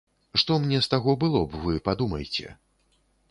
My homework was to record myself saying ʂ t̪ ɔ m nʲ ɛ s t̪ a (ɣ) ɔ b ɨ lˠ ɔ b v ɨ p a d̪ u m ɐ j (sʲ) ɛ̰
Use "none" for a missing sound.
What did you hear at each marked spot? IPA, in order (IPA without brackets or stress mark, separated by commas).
ɣ, t͡sʲ